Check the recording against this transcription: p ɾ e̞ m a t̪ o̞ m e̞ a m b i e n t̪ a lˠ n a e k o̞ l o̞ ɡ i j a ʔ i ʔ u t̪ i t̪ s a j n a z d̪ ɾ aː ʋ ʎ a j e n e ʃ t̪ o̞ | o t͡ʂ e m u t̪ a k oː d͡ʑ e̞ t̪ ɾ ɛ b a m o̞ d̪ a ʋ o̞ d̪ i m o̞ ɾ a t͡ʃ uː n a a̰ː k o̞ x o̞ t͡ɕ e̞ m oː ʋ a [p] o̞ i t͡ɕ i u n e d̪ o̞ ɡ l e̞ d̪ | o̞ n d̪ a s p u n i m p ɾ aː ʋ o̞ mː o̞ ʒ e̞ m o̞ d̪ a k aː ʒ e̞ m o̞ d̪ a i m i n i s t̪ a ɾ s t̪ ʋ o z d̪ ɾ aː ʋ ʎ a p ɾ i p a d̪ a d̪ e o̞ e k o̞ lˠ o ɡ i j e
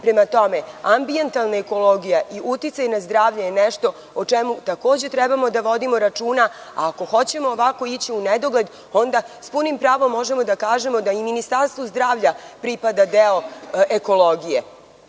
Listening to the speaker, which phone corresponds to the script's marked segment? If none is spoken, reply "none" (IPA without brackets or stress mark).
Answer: k